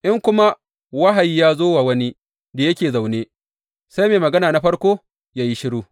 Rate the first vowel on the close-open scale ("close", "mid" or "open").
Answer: close